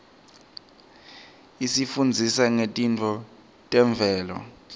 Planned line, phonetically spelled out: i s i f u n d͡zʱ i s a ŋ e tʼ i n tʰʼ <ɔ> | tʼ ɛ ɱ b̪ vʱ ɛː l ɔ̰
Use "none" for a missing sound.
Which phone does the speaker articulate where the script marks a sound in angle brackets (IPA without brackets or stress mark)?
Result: ɔ